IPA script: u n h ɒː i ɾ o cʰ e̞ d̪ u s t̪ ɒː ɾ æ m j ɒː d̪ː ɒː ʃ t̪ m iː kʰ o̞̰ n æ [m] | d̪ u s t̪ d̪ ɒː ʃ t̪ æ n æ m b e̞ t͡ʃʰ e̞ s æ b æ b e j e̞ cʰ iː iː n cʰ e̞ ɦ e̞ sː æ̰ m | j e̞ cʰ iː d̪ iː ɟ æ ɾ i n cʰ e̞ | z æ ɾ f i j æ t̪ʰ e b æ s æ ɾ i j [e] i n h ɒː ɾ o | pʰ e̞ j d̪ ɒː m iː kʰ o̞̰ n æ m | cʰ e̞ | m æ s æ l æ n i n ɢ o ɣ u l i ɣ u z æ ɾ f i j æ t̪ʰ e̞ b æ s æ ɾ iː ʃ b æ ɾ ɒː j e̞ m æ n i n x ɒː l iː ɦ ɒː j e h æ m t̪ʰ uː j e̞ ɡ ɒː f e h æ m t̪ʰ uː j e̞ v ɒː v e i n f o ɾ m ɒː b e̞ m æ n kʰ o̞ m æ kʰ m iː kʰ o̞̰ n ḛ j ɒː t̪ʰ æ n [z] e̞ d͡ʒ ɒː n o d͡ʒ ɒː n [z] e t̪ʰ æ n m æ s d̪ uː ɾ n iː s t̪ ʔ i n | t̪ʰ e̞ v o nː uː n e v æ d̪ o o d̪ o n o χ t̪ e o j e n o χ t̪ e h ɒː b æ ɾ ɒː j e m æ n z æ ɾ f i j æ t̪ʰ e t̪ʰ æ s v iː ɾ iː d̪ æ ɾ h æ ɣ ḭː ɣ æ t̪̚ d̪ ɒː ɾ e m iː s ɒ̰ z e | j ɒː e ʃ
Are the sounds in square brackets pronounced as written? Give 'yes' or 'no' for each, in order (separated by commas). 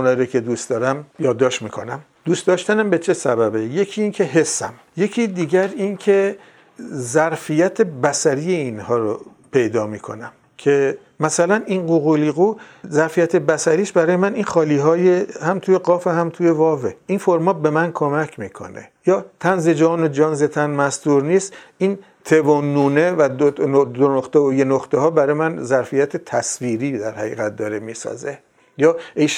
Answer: yes, yes, yes, yes